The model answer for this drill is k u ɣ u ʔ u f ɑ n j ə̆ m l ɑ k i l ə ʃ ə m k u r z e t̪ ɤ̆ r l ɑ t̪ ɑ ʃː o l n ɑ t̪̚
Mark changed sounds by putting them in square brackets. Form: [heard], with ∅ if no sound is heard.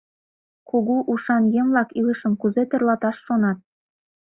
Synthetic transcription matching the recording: k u ɣ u ʔ u [ʃ] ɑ n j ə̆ m l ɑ k i l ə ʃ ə m k u [∅] z e t̪ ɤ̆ r l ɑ t̪ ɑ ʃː o [∅] n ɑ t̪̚